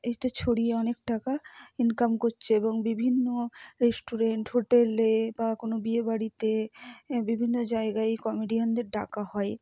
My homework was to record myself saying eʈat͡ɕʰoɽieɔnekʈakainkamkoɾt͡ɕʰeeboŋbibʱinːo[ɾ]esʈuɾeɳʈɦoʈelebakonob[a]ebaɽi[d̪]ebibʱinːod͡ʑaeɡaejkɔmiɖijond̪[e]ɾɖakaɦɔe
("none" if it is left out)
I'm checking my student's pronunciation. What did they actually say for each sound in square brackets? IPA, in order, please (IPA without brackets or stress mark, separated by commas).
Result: ɾ, i, t̪, e